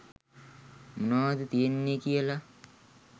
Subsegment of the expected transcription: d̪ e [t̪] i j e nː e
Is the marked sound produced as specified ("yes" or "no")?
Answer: yes